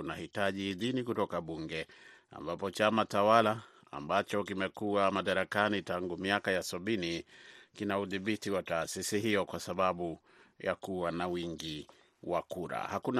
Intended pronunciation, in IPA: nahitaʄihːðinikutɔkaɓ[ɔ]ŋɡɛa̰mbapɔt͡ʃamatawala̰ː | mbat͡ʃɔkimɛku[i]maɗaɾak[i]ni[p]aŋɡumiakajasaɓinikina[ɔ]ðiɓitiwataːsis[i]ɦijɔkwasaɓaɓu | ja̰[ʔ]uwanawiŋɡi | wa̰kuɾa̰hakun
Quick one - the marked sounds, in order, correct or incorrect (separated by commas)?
incorrect, incorrect, incorrect, incorrect, incorrect, correct, incorrect